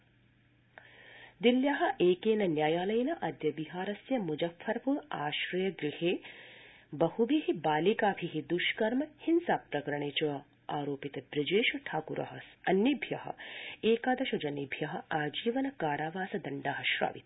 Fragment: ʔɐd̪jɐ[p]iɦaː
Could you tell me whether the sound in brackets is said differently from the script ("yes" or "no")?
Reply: yes